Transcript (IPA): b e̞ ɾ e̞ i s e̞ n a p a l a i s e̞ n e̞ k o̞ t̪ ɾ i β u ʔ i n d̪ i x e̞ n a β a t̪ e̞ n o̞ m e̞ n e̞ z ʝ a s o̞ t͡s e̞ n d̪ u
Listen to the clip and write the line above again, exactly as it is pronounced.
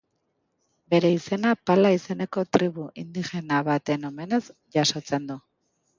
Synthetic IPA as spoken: b e̞ ɾ e̞ i s e̞ n a p a l a i s e̞ n e̞ k o̞ t̪ ɾ i β u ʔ i n d̪ i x e̞ n a β a t̪ e̞ n o̞ m e̞ n e̞ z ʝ a s o̞ t͡s e̞ n d̪ u